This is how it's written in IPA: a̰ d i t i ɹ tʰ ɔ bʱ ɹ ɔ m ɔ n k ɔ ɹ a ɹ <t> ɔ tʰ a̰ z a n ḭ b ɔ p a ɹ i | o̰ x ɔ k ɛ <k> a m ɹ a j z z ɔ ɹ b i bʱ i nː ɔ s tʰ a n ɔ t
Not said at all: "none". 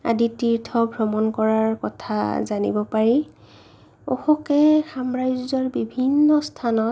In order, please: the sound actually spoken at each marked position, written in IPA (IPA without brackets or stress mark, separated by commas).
k, x